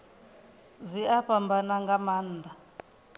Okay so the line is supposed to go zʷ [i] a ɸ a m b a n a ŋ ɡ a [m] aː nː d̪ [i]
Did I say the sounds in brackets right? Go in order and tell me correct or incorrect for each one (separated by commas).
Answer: correct, correct, incorrect